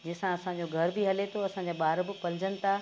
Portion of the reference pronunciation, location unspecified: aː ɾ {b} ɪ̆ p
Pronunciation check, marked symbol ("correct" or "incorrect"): correct